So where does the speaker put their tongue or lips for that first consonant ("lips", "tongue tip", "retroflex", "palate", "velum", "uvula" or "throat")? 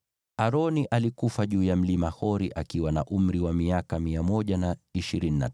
tongue tip